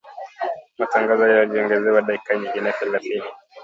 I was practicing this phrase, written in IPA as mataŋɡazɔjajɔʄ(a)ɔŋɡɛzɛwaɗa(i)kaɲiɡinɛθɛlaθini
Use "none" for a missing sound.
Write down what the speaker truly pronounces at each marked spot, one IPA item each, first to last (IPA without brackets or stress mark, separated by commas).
i, i